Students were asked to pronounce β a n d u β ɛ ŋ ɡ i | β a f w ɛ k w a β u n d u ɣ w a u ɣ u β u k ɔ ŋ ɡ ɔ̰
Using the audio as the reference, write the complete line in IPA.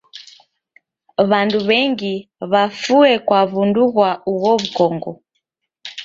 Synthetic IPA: β a n d u β ɛ ŋ ɡ i | β a f u ɛ k w a β u n d u ɣ w a u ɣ ɔ β u k ɔ ŋ ɡ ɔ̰